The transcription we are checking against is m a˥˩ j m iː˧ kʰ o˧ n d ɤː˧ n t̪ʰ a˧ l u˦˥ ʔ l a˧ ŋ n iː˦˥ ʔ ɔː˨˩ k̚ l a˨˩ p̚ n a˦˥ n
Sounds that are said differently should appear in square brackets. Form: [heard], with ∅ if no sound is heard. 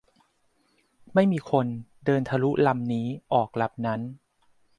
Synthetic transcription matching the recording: m a˥˩ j m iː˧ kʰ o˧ n d ɤː˧ n t̪ʰ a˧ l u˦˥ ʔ l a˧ [m] n iː˦˥ ʔ ɔː˨˩ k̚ l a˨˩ p̚ n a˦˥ n

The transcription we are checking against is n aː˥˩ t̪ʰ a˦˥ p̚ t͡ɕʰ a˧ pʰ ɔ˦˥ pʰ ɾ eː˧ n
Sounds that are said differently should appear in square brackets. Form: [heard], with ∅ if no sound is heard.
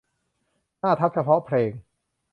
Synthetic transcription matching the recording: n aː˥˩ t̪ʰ a˦˥ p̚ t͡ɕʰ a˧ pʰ ɔ˦˥ pʰ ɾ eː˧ [ŋ]

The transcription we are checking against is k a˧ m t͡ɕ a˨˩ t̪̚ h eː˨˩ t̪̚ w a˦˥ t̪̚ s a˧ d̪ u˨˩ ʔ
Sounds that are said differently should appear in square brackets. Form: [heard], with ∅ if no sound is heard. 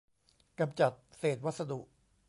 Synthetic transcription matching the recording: k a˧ m t͡ɕ a˨˩ t̪̚ [s] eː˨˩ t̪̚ w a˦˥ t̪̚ s a˧ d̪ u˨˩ ʔ

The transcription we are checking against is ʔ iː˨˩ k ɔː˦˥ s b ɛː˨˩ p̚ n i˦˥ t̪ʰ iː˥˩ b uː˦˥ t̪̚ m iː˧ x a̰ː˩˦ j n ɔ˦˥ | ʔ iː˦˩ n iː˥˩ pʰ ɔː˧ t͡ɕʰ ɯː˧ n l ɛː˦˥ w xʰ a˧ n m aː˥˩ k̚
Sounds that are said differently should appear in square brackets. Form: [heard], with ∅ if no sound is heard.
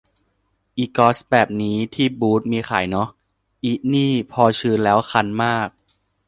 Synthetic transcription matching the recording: ʔ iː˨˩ k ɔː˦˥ s b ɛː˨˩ p̚ n [iː˦˥] t̪ʰ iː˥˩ b uː˦˥ t̪̚ m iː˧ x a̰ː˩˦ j n ɔ˦˥ | ʔ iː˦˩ n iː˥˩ pʰ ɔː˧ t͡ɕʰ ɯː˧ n l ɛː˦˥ w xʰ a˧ n m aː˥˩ k̚

